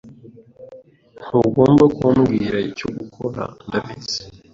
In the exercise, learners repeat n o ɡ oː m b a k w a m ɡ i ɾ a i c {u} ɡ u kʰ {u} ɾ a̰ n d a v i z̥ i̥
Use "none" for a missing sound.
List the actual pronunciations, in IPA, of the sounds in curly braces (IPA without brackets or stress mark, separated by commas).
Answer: o, o